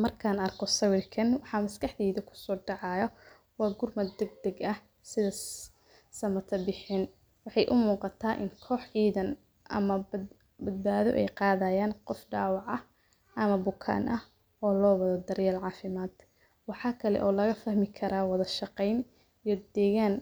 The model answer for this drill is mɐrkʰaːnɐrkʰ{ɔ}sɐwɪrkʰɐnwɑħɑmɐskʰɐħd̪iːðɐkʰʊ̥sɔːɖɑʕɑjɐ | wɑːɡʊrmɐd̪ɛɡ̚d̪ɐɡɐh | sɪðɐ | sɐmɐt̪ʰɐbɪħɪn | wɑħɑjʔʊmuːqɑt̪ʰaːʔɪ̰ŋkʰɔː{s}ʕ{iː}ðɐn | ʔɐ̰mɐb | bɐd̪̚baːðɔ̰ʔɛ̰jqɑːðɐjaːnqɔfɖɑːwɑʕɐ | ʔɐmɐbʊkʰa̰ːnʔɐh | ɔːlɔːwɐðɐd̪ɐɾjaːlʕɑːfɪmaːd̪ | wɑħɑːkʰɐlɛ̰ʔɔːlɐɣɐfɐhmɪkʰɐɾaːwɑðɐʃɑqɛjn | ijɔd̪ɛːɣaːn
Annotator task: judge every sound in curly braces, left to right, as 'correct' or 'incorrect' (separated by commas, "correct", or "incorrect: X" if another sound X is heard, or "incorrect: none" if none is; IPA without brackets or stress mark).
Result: correct, incorrect: ħ, correct